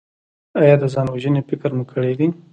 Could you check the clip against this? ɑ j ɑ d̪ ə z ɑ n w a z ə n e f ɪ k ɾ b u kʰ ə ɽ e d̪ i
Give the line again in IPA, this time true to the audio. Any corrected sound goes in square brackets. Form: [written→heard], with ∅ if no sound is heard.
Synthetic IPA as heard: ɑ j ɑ d̪ ə z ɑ n w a [z→ʒ] ə n e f ɪ k ɾ [b→m] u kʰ ə ɽ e d̪ i